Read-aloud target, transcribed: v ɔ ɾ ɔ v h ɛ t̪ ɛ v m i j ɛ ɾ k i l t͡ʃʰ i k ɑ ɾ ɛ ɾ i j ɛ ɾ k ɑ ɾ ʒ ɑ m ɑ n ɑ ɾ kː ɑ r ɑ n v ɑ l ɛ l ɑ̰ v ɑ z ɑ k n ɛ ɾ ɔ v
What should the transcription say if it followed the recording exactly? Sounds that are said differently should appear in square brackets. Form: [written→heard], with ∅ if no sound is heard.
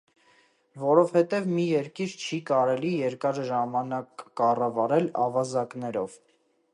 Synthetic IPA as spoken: v ɔ ɾ ɔ v h ɛ t̪ ɛ v m i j ɛ ɾ k i [l→ɾ] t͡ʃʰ i k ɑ ɾ ɛ [ɾ→l] i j ɛ ɾ k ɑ ɾ ʒ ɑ m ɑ n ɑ [ɾ→∅] kː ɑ r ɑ [n→∅] v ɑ [l→ɾ] ɛ l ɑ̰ v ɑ z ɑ k n ɛ ɾ ɔ v